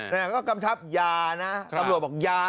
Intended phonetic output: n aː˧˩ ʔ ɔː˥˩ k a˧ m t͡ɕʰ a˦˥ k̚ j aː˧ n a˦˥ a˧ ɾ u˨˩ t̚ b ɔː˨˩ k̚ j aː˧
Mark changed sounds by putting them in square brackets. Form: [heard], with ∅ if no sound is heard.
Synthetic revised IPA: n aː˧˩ [k] ɔː˥˩ k a˧ m t͡ɕʰ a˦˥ [p̚] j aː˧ n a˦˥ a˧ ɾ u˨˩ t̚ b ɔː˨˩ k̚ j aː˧